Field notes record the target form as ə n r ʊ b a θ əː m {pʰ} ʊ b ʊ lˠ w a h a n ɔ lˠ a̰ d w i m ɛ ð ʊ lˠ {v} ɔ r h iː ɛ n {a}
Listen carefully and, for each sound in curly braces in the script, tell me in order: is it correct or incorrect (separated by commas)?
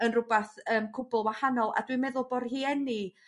incorrect, incorrect, incorrect